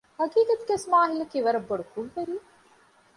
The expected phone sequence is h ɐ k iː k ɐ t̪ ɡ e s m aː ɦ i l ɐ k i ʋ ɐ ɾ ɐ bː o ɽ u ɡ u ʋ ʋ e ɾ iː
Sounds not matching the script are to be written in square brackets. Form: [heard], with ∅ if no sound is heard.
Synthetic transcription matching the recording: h ɐ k iː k ɐ t̪ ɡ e s m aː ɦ i l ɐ k i ʋ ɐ ɾ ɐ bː o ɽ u [k] u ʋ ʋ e ɾ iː